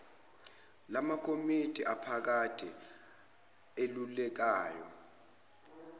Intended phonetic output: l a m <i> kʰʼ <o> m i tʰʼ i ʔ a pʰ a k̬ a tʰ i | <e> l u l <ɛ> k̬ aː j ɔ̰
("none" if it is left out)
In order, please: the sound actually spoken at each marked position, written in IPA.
a, o, e, ɛ

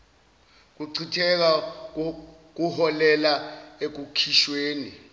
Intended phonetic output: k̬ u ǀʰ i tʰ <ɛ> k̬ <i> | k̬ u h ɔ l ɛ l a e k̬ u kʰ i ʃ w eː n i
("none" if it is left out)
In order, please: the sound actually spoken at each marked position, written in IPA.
ɛ, a

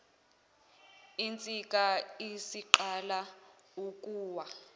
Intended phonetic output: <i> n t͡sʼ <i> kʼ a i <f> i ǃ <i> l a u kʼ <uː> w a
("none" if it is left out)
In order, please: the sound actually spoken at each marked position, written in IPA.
i, i, s, a, uː

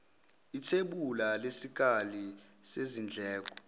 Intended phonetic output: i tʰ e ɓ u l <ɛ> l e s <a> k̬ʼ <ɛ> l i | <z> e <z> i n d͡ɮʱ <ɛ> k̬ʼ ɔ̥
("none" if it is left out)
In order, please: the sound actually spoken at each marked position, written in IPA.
a, i, a, s, z, ɛː

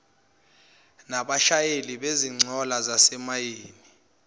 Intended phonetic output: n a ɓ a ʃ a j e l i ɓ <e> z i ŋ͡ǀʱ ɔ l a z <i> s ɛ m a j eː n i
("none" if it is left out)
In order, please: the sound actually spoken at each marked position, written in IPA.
e, a

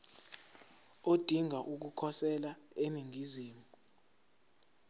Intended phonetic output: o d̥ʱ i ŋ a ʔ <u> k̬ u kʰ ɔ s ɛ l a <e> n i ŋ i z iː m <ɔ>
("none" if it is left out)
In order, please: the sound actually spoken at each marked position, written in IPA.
u, e, u

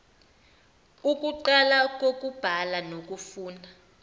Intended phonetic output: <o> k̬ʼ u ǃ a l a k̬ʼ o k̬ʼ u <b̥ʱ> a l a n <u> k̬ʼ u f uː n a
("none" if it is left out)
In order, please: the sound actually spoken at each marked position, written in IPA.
u, b̥ʱ, o

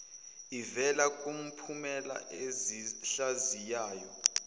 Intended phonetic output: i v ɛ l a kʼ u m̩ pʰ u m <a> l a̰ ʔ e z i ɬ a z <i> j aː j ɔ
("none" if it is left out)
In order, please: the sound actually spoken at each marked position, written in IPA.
ɛ, i

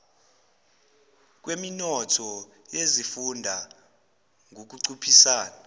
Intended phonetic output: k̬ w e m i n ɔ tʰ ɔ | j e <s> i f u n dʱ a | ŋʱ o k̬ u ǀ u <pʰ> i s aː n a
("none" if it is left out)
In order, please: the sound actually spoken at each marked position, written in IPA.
z, pʰ

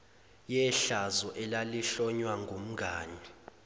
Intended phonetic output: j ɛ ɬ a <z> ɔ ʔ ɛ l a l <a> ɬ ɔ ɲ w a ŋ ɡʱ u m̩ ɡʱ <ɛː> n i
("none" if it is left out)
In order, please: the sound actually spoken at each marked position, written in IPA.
z, i, aː

